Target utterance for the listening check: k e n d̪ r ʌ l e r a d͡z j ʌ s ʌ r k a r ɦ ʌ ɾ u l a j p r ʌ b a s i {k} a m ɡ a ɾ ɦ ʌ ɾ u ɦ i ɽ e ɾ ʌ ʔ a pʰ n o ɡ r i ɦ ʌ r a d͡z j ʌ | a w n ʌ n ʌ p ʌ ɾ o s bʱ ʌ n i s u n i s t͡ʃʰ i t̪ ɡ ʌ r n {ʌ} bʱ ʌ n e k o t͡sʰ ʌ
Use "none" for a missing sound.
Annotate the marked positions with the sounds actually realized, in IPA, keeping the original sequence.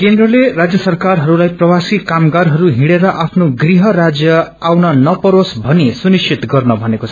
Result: k, ʌ

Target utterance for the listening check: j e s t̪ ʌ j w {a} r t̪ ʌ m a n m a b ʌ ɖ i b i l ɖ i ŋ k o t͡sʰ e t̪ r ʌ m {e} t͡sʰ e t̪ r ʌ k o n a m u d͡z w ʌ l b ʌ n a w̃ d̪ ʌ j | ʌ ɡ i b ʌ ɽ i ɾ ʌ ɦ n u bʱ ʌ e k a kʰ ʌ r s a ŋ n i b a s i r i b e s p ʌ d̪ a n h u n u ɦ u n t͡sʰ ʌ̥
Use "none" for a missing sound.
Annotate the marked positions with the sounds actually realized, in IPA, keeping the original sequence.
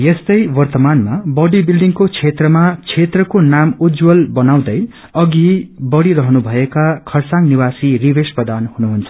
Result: ʌ, a

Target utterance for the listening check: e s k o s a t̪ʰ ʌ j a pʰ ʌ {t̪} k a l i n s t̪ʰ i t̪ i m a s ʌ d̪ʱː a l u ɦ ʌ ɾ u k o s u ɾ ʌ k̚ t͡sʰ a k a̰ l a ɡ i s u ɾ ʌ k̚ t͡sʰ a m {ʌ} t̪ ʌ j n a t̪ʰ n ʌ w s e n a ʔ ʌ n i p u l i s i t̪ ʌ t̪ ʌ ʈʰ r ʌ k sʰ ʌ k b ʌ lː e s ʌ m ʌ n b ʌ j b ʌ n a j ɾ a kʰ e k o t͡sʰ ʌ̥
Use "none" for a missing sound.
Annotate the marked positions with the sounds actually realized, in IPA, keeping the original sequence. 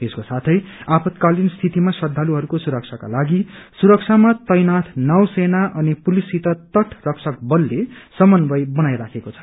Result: t̪, a

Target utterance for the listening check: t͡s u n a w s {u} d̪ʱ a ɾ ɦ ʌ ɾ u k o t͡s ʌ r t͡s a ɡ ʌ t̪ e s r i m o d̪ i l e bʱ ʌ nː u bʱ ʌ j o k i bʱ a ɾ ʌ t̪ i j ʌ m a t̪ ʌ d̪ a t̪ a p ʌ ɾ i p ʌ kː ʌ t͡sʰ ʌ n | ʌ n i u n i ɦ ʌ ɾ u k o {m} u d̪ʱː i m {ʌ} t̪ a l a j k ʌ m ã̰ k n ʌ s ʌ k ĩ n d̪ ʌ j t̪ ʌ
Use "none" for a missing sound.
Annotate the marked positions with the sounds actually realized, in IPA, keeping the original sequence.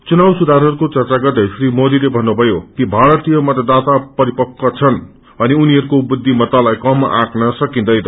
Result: u, b, ʌ

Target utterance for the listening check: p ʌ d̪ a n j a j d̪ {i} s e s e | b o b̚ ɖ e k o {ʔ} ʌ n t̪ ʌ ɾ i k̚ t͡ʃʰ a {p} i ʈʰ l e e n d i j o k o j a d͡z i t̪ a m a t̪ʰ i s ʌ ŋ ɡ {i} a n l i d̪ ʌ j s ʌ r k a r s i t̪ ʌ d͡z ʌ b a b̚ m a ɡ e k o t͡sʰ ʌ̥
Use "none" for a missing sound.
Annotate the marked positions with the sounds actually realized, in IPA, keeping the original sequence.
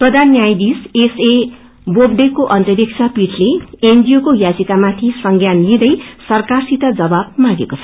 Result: i, ʔ, p, j

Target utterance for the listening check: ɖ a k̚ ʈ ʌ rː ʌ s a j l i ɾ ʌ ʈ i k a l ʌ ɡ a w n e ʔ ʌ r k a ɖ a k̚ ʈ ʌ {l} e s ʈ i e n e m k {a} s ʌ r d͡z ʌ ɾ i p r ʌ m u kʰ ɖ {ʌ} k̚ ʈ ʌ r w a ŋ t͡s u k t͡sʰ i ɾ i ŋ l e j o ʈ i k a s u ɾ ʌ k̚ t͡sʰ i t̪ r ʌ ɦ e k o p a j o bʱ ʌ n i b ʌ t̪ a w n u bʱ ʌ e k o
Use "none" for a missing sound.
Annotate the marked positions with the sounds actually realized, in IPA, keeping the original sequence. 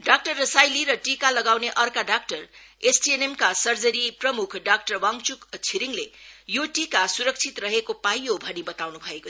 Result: r, a, a

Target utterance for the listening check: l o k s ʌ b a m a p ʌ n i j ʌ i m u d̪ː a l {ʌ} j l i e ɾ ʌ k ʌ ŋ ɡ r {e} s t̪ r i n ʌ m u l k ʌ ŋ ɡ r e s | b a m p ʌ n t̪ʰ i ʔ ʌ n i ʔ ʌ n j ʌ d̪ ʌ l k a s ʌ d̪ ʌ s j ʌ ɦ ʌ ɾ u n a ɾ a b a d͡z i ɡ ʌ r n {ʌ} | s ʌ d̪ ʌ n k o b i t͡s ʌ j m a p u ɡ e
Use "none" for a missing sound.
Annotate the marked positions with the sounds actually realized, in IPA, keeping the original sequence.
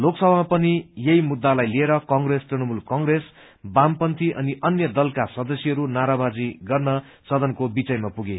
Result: a, e, ʌ

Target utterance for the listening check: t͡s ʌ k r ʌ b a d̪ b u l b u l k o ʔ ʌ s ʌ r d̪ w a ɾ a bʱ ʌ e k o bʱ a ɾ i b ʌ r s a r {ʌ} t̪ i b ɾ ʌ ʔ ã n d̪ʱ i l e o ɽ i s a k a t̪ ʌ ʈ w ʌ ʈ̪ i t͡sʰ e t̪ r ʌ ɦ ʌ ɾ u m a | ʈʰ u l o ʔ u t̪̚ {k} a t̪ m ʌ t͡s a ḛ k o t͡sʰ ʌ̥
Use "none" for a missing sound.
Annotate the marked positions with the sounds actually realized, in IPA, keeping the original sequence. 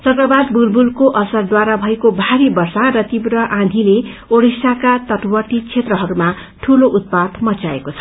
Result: ʌ, p

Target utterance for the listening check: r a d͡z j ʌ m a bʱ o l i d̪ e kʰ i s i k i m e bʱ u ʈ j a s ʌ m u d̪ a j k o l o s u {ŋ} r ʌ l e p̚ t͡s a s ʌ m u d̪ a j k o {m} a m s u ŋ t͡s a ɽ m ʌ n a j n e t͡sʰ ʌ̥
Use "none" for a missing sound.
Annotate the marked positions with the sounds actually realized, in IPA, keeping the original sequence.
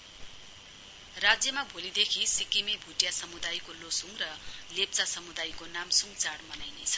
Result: ŋ, n

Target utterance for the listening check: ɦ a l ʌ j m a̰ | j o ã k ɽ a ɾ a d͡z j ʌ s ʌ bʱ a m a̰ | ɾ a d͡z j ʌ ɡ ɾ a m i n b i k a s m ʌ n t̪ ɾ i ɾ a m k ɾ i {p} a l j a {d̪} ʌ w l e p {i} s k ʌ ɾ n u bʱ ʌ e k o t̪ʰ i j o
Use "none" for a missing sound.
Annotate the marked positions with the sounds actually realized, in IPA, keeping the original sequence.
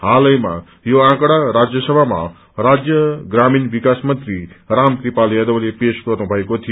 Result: p, d̪, e

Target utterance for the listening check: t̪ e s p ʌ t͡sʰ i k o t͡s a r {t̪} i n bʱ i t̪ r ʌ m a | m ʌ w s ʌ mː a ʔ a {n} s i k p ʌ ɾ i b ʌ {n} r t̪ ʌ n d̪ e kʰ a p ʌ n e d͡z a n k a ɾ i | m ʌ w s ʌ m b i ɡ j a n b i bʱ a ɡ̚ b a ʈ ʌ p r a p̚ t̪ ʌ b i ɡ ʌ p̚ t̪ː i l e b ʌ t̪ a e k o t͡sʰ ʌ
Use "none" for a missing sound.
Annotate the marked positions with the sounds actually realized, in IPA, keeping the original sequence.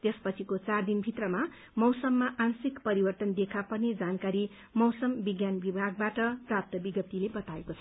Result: d̪, n, none

